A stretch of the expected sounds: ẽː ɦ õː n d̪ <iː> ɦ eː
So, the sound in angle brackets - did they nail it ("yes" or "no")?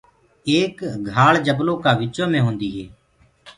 yes